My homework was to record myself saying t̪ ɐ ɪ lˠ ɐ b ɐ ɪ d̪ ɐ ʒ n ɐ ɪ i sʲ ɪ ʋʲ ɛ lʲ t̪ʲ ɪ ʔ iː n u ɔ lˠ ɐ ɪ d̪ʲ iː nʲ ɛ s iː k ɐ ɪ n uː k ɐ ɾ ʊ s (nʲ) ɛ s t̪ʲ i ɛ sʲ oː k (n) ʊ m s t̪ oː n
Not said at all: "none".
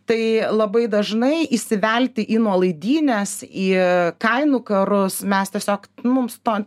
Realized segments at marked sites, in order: mʲ, m

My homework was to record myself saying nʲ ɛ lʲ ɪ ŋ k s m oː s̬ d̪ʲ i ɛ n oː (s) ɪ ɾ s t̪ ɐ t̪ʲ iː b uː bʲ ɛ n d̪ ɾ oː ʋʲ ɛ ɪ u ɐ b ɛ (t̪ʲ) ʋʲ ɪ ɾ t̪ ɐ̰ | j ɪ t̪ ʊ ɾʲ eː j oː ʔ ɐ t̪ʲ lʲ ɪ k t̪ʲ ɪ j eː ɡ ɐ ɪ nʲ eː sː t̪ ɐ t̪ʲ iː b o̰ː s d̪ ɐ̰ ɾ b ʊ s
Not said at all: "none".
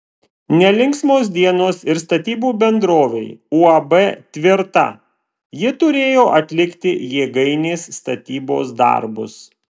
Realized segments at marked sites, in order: s, t̪ʲ

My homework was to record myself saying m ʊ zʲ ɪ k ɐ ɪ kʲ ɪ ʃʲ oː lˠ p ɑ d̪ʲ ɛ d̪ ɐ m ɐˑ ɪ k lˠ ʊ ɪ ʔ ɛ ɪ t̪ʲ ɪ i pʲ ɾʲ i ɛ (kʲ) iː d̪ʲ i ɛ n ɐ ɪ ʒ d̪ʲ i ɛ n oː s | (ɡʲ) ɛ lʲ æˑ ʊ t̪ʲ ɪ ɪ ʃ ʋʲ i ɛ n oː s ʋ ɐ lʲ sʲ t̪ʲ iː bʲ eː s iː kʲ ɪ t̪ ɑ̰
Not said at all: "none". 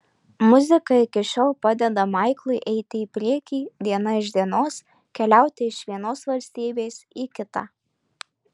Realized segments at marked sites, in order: kʲ, kʲ

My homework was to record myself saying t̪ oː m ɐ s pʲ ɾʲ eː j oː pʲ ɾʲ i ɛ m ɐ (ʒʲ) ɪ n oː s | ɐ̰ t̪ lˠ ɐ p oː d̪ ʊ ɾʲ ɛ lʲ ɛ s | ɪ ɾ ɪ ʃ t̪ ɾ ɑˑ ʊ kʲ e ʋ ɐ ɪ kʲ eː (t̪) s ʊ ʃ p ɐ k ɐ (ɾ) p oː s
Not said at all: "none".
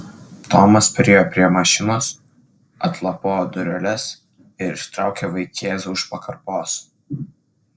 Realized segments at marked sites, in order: ʃʲ, none, ɾ

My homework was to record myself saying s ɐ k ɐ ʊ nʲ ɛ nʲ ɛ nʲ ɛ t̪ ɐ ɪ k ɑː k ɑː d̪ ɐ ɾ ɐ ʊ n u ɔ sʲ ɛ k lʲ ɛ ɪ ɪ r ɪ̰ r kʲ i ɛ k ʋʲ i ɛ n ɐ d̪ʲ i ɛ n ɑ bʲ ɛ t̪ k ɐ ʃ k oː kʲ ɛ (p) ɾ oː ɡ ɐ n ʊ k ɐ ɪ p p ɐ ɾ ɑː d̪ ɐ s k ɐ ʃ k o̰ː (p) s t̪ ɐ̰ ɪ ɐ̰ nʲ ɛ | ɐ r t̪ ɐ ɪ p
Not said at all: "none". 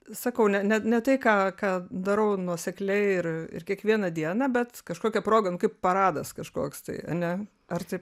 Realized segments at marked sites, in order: p, k

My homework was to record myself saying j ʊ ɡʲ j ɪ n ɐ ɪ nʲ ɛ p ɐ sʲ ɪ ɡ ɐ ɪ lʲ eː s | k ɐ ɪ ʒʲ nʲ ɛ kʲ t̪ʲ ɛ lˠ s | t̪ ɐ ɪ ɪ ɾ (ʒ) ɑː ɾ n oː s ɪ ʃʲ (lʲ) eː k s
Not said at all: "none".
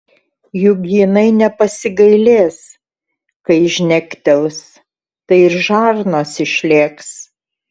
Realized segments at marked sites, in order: ʒ, lʲ

